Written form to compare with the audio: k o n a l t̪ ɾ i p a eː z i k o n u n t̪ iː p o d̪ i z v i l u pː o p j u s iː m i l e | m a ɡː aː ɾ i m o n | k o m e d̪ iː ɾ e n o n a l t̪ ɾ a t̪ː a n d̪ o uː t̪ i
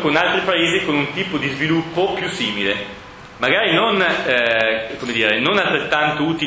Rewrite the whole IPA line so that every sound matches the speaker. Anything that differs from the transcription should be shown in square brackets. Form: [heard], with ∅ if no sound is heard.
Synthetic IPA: k o n a l t̪ ɾ i p a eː z i k o n u n t̪ iː p o d̪ i z v i l u pː o p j u s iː m i l e | m a [ɡ] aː ɾ i [n] o n | k o m e d̪ iː ɾ e n o n a l t̪ ɾ [e] t̪ː a n [t̪] o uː t̪ i